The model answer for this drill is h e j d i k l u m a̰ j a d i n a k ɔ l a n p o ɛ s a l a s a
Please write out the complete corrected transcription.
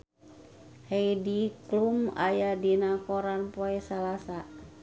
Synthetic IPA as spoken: h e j d i k l u m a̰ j a d i n a k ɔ ɾ a n p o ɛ s a l a s a